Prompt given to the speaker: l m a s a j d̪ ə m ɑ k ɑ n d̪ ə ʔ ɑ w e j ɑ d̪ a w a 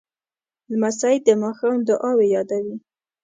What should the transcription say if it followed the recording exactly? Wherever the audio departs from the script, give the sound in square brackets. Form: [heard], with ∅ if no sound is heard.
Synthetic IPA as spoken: l m a s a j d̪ ə m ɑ [x] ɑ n d̪ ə ʔ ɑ w e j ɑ d̪ a w [i]